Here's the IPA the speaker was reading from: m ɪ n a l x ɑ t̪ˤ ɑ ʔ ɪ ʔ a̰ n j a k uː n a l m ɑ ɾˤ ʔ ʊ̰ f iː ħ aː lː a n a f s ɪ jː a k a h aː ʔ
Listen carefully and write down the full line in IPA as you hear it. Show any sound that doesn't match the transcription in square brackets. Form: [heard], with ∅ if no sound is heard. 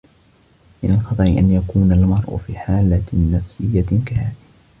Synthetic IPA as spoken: m ɪ n a l x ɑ t̪ˤ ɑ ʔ ɪ ʔ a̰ n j a k uː n a l m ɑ ɾˤ ʔ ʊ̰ f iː ħ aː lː a n a f s ɪ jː a k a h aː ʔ